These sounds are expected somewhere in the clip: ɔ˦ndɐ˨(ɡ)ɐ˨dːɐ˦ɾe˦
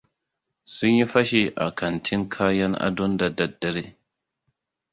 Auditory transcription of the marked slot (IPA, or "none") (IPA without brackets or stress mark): d